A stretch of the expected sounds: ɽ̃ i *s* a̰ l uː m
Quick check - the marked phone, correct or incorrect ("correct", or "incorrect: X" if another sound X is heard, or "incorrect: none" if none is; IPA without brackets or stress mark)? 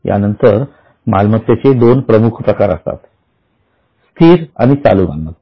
incorrect: t͡s